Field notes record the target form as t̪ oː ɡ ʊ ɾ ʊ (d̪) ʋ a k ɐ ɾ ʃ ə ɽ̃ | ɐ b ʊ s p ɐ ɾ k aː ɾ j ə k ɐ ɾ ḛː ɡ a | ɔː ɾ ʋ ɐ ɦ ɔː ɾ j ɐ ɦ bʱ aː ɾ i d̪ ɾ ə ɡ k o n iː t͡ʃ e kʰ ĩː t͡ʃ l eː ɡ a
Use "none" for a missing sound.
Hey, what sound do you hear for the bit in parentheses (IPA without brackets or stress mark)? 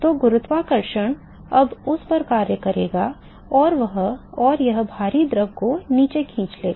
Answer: t̪